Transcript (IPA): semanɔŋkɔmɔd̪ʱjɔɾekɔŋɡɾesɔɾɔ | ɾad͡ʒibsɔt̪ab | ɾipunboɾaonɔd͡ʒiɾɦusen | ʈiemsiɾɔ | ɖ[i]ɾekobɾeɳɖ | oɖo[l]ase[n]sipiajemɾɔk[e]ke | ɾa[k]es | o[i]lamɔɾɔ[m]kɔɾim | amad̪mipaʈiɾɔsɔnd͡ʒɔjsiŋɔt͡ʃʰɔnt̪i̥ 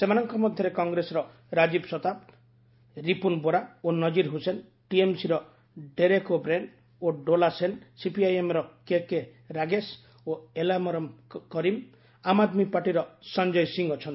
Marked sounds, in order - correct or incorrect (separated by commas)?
incorrect, correct, correct, correct, incorrect, incorrect, correct